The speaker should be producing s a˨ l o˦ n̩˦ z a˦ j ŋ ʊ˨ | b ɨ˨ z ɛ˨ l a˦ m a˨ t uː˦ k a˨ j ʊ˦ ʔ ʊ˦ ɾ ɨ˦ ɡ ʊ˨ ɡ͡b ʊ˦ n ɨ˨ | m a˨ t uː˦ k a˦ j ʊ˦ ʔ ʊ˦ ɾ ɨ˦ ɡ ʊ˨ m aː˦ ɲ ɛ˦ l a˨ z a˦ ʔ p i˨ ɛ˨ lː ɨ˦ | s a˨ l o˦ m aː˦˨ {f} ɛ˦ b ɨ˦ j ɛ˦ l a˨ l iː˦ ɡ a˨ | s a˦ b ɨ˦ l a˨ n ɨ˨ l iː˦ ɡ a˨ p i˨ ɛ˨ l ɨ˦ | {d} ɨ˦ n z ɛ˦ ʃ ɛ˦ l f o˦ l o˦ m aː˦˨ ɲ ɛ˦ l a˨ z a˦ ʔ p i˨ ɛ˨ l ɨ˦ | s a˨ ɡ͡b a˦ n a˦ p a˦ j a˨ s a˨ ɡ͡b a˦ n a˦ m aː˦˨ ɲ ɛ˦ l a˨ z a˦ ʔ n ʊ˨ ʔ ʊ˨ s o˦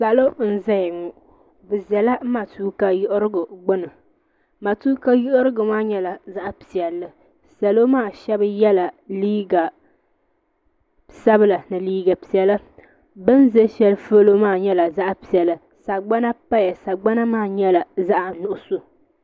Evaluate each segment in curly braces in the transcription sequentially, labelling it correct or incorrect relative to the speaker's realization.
incorrect: ʃ, incorrect: b

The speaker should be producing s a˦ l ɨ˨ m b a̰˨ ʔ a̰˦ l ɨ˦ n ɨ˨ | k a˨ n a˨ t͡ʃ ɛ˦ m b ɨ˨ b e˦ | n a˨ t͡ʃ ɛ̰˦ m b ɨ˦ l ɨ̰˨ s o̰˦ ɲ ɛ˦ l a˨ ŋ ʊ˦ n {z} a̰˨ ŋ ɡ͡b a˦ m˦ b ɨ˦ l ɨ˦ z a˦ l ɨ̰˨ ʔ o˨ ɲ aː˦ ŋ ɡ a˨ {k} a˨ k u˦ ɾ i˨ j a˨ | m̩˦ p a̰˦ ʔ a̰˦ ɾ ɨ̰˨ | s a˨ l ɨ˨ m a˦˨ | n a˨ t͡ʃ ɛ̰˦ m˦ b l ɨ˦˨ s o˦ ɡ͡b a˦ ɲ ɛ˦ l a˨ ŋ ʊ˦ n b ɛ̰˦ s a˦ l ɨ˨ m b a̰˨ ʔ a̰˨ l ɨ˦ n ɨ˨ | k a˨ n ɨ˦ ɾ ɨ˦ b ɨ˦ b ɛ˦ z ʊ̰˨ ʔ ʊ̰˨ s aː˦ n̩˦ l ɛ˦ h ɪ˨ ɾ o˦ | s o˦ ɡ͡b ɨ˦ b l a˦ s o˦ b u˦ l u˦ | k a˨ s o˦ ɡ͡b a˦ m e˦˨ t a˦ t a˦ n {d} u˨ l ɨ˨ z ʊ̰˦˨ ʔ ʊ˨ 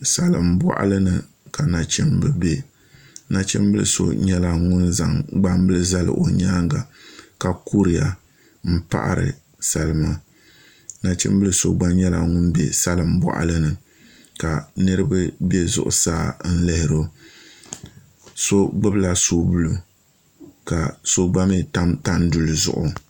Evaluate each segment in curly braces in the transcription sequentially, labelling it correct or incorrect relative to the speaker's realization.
correct, correct, correct

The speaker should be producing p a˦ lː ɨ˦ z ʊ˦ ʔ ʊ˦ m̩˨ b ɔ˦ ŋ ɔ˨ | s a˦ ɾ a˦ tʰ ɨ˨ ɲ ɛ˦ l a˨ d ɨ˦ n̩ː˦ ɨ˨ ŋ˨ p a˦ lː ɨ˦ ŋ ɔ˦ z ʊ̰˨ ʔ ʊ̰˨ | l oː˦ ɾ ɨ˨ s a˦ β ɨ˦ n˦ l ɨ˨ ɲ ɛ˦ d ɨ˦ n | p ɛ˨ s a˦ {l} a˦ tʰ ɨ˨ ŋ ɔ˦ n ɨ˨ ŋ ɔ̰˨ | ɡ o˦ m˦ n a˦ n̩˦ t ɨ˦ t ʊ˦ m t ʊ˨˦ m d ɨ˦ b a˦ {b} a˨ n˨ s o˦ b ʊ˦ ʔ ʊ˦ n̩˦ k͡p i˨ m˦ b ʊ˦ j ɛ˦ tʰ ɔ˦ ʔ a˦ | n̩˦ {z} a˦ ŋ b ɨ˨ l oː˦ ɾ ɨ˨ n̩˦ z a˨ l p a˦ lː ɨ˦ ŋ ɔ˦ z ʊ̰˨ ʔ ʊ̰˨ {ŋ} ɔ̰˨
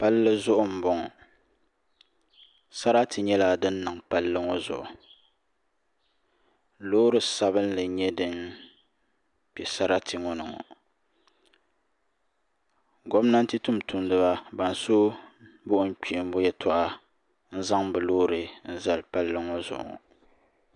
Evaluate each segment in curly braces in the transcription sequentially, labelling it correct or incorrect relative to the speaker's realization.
incorrect: ɾ, correct, correct, correct

